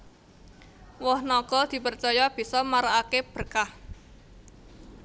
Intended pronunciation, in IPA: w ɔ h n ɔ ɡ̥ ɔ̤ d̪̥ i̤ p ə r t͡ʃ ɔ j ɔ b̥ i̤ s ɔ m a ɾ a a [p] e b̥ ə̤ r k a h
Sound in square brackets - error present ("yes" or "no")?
yes